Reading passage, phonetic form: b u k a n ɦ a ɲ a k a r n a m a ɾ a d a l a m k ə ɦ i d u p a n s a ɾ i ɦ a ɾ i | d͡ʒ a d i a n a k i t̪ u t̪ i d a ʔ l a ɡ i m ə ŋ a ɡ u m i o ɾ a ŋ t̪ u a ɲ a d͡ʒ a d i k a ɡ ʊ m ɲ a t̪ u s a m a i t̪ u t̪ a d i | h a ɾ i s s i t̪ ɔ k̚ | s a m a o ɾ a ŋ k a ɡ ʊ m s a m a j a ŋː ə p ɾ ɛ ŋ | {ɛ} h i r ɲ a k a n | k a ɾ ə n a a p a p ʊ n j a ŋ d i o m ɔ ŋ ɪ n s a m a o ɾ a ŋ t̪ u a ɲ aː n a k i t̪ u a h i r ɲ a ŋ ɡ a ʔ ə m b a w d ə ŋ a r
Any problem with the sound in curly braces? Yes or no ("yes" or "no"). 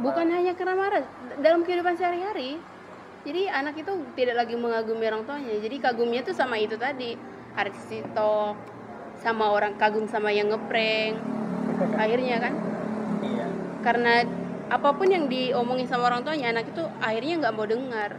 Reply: yes